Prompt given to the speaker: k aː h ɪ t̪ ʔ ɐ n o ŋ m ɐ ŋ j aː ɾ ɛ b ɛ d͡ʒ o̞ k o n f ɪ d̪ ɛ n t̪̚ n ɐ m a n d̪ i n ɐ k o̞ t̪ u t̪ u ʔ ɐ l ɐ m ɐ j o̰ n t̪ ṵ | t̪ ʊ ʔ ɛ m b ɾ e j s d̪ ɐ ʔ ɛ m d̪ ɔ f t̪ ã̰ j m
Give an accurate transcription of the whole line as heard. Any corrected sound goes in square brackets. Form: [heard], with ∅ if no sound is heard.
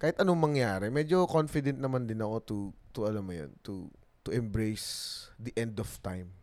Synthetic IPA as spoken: k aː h ɪ t̪ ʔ ɐ n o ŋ m ɐ ŋ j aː ɾ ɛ [m] ɛ d͡ʒ o̞ k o n f ɪ d̪ ɛ n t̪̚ n ɐ m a n d̪ [ɪ] n ɐ k o̞ t̪ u t̪ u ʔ ɐ l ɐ m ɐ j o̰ n t̪ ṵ | t̪ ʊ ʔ ɛ m b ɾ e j s d̪ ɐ ʔ ɛ [n] d̪ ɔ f t̪ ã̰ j m